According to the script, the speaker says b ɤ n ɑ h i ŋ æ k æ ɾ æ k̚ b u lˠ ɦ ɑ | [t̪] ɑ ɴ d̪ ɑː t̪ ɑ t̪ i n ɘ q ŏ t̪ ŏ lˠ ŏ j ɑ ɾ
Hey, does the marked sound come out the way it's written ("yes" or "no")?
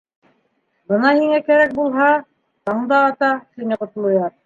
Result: yes